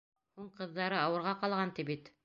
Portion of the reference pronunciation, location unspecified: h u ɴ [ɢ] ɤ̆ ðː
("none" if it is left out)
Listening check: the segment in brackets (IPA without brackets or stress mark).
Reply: q